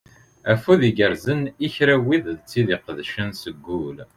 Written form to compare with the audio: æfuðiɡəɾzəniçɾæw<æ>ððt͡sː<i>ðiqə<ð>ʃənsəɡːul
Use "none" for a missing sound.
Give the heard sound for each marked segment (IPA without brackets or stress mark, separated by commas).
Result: i, i, ð